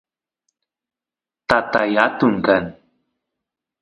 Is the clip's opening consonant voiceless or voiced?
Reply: voiceless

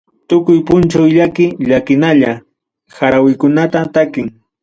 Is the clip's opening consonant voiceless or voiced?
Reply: voiceless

